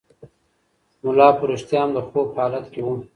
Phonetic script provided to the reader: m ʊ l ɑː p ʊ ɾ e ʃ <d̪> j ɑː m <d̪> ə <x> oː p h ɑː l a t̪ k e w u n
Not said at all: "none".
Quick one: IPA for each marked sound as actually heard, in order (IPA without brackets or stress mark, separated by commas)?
t̪, d̪, x